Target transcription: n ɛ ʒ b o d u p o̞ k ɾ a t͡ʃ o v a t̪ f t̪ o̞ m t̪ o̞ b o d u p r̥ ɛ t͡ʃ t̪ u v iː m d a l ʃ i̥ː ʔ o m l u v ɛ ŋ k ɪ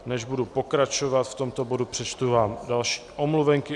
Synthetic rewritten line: n ɛ ʒ b u d u p o̞ k ɾ a t͡ʃ o v a t̪ f t̪ o̞ m t̪ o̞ b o d u p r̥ ɛ t͡ʃ t̪ u v aː m d a l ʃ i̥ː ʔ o m l u v ɛ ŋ k ɪ